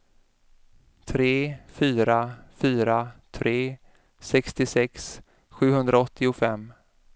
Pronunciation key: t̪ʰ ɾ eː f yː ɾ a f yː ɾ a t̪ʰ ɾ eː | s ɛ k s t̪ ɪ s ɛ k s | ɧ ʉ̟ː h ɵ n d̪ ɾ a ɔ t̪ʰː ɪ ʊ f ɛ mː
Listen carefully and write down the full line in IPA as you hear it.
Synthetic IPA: t̪ʰ ɾ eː f yː ɾ a f yː ɾ a t̪ʰ ɾ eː | s ɛ k s t̪ ɪ s ɛ k s | ɧ ʉ̟ː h ɵ n d̪ ɾ a ɔ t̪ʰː ɪ ʊ f ɛ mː